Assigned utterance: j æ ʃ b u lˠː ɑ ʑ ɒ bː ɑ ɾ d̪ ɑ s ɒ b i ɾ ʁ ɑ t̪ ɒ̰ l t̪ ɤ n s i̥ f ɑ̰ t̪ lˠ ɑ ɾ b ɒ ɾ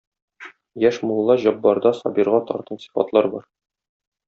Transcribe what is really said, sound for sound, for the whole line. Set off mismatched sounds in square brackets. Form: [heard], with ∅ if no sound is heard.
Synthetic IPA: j æ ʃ [m] u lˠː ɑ ʑ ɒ bː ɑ ɾ d̪ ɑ s ɒ b i ɾ ʁ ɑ t̪ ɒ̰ [ɾ] t̪ ɤ n s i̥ f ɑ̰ t̪ lˠ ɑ ɾ b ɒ ɾ